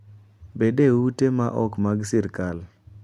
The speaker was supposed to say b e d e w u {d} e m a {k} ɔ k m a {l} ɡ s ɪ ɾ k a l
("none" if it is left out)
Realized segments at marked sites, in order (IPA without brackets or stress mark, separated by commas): t, ʔ, none